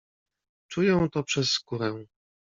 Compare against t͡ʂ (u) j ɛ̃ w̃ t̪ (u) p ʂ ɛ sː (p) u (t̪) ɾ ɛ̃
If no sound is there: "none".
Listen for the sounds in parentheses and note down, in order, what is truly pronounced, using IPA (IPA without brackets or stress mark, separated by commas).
u, ɔ, k, none